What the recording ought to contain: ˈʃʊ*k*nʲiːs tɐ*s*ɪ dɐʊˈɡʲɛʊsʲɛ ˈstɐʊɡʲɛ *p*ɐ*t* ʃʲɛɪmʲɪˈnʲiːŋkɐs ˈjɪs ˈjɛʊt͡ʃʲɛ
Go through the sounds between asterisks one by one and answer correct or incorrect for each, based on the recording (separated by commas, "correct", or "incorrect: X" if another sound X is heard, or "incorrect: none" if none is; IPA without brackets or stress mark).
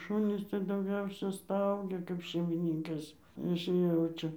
incorrect: none, incorrect: none, incorrect: k, incorrect: p